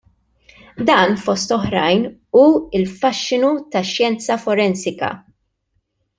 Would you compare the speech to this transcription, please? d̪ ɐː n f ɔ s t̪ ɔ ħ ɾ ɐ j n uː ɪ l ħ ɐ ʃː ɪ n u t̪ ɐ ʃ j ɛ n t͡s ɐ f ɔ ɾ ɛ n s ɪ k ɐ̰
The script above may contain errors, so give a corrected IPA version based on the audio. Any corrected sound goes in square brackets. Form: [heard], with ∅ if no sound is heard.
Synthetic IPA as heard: d̪ ɐː n f ɔ s t̪ ɔ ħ ɾ ɐ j n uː ɪ l [f] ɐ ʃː ɪ n u t̪ ɐ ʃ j ɛ n t͡s ɐ f ɔ ɾ ɛ n s ɪ k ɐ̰